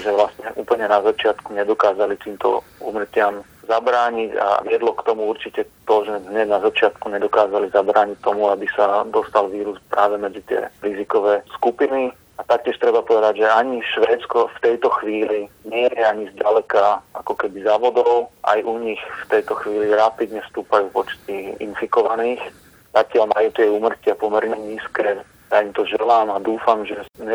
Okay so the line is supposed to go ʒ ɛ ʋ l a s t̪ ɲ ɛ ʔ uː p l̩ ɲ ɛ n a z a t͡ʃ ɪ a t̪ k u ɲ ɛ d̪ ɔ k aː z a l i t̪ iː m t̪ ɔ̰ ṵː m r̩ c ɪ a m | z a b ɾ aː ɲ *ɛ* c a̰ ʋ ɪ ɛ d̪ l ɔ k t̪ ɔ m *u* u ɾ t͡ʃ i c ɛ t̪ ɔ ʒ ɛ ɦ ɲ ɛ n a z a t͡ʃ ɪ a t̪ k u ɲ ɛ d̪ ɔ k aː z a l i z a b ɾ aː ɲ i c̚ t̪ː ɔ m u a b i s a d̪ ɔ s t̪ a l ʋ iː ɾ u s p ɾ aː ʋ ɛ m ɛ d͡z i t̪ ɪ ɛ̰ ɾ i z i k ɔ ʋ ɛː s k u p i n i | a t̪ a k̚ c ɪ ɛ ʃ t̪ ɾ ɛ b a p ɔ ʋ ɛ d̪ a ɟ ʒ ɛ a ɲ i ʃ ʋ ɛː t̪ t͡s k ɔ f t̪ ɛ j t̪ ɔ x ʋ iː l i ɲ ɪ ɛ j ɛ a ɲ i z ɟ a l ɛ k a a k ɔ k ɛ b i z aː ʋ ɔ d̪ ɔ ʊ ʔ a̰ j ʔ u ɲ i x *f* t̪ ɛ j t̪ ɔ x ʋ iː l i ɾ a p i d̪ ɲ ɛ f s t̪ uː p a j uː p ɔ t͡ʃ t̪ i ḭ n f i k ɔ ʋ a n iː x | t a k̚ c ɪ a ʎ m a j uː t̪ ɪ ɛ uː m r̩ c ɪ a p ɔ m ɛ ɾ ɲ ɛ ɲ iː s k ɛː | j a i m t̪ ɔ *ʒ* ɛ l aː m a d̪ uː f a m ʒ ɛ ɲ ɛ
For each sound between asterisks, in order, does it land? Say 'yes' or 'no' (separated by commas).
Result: no, yes, yes, yes